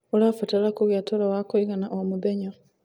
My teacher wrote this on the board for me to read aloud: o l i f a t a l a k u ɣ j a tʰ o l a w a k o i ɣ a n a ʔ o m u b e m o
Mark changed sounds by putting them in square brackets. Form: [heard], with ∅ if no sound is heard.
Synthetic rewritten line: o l [a] f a t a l a k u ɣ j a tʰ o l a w a k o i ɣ a n a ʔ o m u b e [ɲ] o